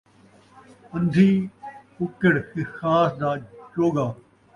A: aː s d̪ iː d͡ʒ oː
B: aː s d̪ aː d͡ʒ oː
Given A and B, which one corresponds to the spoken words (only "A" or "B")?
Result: B